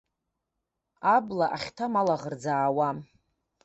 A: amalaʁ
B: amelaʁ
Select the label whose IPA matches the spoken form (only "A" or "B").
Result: A